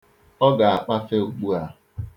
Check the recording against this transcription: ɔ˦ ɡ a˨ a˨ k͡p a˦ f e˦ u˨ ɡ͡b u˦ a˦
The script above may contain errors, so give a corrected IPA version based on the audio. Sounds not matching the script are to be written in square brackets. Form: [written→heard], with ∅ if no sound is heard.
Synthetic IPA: ɔ˦ ɡ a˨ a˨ k͡p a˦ f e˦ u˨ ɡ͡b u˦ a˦